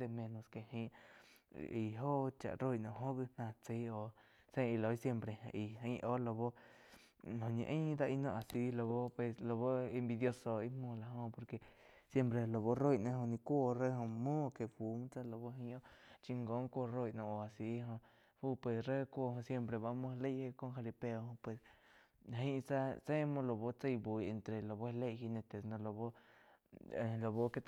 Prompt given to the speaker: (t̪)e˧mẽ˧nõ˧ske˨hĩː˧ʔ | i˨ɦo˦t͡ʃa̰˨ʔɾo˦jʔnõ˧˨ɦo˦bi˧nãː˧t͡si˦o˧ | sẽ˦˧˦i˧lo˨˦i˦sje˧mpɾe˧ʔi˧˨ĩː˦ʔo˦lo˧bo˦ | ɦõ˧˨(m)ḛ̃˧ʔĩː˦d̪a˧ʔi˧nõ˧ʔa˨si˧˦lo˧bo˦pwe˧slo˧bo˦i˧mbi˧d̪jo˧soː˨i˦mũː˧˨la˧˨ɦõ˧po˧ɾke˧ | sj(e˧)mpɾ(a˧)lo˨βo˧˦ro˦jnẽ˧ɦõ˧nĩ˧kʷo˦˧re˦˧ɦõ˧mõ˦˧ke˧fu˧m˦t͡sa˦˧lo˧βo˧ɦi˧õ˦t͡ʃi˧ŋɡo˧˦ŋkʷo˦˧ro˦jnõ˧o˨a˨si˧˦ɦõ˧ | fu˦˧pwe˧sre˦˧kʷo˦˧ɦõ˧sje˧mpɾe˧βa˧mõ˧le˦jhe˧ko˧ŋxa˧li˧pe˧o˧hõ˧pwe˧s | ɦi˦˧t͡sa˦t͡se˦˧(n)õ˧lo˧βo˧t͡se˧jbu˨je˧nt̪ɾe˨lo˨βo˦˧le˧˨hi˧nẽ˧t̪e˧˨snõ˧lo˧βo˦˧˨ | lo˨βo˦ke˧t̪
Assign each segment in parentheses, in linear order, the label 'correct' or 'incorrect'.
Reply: incorrect, incorrect, correct, incorrect, incorrect

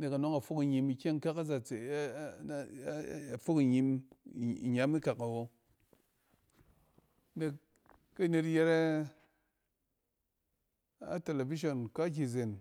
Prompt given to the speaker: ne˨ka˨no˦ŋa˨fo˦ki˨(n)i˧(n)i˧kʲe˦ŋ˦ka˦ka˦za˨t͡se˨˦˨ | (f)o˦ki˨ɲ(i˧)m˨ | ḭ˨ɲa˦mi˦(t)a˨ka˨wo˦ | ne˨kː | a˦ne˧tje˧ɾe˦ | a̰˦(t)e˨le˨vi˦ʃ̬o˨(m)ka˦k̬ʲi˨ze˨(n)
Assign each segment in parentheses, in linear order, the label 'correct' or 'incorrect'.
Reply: incorrect, incorrect, correct, correct, incorrect, correct, incorrect, correct

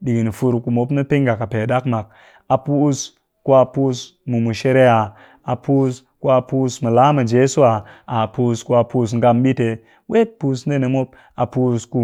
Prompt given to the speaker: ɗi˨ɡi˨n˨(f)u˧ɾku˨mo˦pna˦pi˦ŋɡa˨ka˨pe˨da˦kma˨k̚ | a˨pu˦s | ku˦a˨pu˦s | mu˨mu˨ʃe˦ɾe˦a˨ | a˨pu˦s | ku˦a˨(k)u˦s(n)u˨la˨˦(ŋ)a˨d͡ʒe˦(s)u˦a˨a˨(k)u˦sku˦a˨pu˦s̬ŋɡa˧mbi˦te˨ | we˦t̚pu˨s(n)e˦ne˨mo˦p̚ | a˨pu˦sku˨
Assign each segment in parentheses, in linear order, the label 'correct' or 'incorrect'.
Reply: correct, incorrect, incorrect, incorrect, correct, incorrect, correct

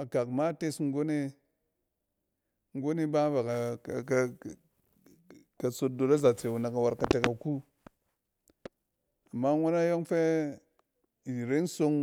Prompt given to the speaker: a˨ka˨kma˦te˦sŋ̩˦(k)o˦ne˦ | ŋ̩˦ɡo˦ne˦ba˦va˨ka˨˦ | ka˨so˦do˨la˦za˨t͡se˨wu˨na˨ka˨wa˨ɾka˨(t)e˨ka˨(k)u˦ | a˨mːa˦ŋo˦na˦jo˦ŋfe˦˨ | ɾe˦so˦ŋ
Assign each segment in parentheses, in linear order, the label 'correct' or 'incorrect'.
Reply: incorrect, correct, correct

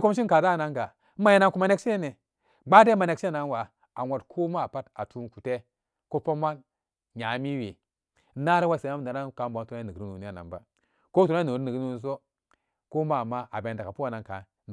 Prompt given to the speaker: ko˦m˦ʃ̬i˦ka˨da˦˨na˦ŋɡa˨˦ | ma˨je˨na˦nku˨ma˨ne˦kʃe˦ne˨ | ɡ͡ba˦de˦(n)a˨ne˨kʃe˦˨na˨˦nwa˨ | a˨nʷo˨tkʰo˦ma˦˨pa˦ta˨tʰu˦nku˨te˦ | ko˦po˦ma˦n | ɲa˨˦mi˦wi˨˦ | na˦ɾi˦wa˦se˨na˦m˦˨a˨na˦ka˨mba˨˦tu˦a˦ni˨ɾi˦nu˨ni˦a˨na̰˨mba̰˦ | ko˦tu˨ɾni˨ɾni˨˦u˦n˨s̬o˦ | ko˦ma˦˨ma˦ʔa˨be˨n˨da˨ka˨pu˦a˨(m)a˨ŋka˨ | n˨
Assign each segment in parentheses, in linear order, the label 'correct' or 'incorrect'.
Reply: incorrect, incorrect

